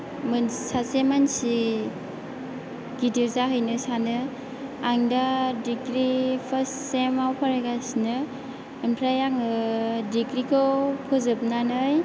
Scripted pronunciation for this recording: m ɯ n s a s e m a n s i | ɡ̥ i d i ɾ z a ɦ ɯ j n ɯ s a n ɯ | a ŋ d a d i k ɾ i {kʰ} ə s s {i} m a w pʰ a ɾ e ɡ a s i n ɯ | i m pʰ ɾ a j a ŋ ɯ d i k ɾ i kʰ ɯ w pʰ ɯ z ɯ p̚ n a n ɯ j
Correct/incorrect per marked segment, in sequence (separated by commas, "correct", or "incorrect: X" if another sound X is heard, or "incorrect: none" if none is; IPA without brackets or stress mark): incorrect: pʰ, incorrect: e